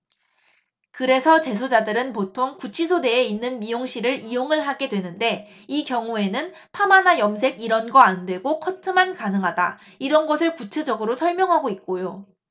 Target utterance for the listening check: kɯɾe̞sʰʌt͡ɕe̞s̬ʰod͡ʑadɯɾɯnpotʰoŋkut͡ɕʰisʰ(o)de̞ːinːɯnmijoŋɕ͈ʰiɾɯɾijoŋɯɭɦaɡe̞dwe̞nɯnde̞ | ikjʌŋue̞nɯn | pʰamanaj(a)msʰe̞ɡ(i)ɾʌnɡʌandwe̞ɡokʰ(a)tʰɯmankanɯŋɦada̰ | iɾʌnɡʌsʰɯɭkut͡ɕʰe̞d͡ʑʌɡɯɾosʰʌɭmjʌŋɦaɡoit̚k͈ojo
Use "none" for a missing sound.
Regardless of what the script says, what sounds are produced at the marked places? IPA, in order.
o, ʌ, i, ʌ

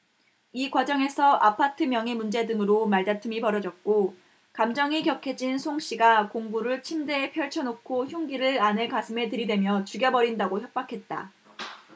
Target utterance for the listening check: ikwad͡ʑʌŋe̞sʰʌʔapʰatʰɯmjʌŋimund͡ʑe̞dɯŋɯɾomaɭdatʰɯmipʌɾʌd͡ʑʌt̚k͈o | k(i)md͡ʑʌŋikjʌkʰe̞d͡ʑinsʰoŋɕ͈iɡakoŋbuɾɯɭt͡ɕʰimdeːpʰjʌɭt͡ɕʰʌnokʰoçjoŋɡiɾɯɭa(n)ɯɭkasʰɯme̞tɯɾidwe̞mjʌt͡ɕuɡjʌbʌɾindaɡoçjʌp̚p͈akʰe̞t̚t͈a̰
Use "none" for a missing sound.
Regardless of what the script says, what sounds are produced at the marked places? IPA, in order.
a, n

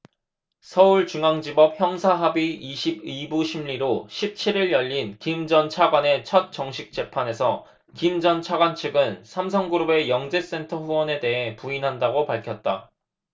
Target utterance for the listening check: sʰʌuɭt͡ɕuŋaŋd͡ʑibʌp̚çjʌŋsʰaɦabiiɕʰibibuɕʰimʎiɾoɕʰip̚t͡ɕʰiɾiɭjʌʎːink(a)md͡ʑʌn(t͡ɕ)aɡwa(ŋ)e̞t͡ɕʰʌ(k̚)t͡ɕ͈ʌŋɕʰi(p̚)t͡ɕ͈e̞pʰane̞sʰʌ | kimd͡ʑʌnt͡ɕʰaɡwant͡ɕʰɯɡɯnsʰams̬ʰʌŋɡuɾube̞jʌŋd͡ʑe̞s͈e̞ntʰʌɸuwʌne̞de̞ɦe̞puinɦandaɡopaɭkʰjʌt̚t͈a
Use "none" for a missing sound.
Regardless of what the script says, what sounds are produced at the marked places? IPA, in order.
i, t͡ɕʰ, n, t̚, k̚

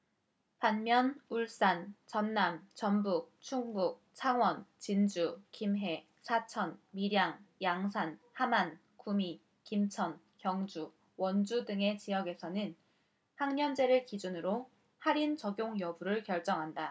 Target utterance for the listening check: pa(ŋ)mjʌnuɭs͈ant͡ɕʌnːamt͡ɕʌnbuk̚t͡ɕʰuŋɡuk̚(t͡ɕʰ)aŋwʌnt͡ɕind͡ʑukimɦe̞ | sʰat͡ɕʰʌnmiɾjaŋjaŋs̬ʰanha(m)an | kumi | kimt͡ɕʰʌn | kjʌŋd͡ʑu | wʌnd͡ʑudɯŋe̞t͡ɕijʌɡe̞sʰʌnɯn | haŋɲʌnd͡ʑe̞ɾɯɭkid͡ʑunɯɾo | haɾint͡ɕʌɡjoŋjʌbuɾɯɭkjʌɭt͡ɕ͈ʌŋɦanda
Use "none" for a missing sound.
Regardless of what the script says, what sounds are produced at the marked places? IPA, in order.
n, t͡ɕʰ, m

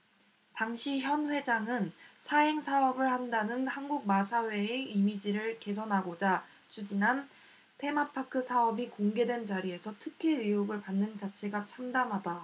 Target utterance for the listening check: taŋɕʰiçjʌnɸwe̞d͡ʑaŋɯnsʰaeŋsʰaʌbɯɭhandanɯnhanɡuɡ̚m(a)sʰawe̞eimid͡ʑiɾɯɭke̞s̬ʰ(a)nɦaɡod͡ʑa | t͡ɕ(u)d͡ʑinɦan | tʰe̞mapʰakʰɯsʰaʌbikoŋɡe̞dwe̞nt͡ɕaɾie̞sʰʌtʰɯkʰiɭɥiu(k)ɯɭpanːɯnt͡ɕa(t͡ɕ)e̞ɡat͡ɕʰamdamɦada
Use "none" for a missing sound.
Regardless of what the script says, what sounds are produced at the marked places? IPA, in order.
a, ʌ, u, ɡ, t͡ɕʰ

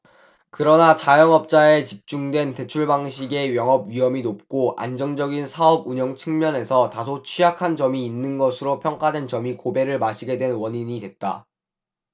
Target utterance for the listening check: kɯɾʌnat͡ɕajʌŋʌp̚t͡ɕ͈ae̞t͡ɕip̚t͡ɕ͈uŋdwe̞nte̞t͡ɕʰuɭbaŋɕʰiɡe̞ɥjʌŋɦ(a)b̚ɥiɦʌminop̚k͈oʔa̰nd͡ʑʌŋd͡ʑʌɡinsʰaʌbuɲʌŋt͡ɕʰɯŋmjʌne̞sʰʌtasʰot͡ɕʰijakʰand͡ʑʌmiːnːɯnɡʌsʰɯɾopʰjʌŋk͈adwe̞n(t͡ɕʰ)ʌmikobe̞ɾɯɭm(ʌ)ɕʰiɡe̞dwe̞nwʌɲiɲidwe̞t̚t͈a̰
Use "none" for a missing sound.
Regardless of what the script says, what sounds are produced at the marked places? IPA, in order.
ʌ, t͡ɕ, a

